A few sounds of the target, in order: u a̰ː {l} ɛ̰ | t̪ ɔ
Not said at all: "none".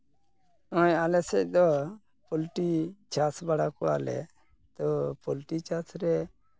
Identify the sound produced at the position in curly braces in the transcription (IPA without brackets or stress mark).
l